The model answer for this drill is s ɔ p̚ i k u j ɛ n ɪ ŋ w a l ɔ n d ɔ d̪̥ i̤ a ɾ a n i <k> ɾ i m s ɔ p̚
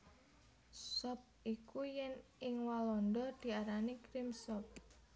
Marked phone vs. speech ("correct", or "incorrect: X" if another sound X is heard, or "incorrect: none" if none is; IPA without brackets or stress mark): correct